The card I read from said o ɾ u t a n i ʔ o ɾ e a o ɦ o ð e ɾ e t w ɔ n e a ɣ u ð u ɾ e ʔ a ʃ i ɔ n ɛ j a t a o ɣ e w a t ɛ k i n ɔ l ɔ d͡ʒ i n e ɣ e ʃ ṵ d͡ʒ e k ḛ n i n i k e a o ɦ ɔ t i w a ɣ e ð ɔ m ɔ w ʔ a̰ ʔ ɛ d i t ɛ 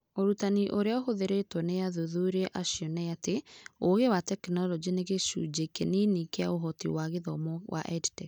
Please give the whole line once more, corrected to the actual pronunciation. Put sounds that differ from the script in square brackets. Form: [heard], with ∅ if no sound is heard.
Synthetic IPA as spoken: o ɾ u t a n i ʔ o ɾ e a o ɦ o ð e ɾ e t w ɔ n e a [ð] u ð u ɾ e ʔ a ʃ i ɔ n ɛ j a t [e] o ɣ e w a t ɛ k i n ɔ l ɔ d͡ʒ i n e ɣ e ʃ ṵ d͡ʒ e k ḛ n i n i k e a o ɦ ɔ t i w a ɣ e ð ɔ m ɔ w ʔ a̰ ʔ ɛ d i t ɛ